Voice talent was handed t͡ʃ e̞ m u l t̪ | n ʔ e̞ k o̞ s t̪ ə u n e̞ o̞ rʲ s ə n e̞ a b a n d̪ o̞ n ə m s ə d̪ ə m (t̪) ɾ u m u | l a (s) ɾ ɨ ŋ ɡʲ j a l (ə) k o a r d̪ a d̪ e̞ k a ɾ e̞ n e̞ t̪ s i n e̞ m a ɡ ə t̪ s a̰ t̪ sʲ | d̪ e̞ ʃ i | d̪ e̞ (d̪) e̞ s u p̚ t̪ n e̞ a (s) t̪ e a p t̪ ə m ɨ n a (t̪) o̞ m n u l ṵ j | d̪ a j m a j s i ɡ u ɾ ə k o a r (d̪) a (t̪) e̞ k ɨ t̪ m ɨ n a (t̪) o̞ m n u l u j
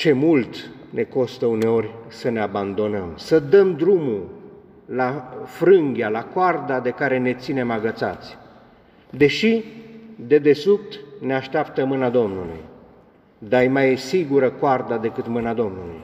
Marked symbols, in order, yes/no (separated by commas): no, no, no, yes, no, no, yes, no, no